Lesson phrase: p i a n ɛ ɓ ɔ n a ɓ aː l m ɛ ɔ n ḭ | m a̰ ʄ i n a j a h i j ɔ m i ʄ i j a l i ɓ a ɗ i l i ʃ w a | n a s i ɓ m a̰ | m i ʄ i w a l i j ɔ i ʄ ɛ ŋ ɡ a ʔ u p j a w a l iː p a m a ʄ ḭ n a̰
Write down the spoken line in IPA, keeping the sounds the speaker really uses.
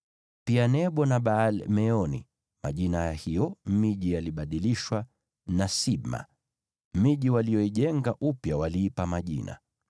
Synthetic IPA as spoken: p i a n ɛ ɓ ɔ n a ɓ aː l m ɛ ɔ n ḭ | m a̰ ʄ i n a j a h i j ɔ m i ʄ i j a l i ɓ a ɗ i l i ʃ w a | n a s i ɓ m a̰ | m i ʄ i w a l i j ɔ i ʄ ɛ ŋ ɡ a ʔ u p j a w a l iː p a m a ʄ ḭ n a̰